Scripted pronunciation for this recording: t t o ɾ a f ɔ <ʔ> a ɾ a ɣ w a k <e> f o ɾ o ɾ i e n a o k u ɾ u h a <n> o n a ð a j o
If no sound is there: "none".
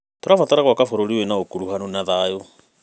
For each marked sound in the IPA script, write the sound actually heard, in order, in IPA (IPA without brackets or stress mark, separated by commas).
t, a, n